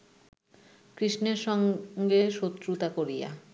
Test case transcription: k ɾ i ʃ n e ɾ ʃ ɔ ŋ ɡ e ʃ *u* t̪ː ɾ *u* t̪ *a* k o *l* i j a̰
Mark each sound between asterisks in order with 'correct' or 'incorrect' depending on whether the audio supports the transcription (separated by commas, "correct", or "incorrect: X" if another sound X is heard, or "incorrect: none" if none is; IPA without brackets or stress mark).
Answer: incorrect: o, correct, correct, incorrect: ɾ